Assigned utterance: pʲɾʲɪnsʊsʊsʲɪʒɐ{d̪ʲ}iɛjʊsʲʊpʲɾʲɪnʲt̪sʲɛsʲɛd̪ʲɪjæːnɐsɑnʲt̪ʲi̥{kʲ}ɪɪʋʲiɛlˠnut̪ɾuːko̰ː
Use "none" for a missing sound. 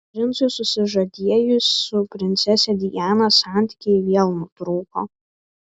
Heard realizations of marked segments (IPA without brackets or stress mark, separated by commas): d̪ʲ, kʲ